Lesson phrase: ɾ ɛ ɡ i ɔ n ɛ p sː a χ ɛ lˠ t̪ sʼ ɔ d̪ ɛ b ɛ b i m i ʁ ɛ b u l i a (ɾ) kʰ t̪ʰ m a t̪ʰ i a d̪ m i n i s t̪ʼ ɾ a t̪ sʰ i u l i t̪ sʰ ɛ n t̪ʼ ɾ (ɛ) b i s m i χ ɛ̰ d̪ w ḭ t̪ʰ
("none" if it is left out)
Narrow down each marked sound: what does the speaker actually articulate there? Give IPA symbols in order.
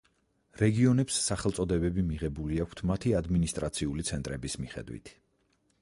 none, ɛ

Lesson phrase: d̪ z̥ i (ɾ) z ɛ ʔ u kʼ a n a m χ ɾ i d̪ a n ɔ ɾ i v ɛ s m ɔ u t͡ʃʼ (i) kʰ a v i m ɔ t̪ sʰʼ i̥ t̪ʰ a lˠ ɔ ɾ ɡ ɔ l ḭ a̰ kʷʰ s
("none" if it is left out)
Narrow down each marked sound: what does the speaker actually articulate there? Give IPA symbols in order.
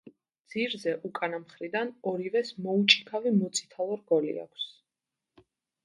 ɾ, i

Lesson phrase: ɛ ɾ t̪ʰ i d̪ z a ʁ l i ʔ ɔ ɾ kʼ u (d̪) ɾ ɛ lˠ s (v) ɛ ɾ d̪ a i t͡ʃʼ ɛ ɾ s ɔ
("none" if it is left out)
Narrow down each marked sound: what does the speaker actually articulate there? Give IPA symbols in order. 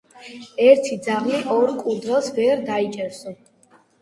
d̪, v

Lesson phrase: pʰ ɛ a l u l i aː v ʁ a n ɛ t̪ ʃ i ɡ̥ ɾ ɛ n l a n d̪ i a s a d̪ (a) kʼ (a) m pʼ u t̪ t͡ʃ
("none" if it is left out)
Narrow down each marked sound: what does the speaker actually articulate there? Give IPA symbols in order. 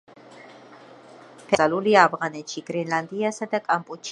a, a

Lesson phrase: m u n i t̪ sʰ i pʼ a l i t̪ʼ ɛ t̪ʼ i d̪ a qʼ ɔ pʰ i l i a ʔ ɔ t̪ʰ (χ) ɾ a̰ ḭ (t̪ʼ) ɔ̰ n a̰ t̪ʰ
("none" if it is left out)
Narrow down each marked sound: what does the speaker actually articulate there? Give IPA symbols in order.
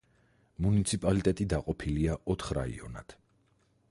χ, none

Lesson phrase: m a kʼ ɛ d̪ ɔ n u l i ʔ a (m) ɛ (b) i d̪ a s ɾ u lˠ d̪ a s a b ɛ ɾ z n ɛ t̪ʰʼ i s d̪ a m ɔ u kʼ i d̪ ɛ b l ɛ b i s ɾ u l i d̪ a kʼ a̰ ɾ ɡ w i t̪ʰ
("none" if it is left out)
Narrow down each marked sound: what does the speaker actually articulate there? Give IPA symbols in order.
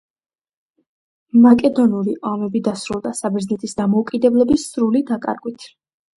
m, b

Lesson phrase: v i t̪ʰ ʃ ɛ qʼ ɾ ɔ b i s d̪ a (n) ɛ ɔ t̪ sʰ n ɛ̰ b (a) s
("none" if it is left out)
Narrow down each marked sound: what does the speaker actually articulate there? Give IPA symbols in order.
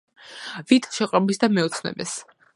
m, ɛ

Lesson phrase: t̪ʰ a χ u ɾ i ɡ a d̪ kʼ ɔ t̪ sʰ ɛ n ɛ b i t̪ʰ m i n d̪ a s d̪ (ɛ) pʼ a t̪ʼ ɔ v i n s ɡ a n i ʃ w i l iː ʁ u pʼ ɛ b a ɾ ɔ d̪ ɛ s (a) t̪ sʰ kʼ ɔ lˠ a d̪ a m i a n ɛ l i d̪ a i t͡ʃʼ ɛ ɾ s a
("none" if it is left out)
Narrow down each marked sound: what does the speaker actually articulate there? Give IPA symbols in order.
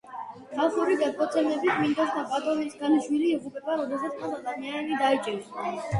a, a

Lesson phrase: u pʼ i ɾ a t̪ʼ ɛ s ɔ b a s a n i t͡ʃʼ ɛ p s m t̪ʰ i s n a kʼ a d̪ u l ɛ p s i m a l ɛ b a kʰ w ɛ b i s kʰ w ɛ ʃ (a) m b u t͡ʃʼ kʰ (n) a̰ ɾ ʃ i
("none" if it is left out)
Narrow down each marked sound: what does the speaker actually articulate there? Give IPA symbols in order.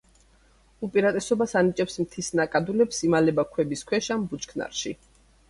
a, n

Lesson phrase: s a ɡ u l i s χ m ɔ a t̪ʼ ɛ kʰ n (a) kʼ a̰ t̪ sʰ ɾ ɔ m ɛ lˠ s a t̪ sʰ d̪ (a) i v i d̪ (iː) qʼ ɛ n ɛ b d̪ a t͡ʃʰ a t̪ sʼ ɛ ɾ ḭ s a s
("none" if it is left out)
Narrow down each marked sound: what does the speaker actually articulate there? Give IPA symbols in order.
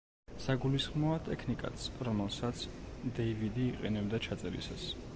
i, ɛ, iː

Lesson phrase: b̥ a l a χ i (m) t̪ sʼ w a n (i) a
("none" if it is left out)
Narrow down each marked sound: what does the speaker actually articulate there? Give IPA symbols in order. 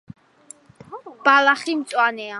m, ɛ

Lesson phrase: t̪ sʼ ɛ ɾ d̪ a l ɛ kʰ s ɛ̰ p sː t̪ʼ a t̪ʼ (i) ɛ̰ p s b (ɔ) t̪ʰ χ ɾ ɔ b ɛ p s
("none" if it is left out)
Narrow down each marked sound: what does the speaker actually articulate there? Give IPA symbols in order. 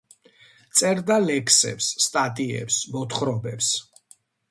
i, ɔ

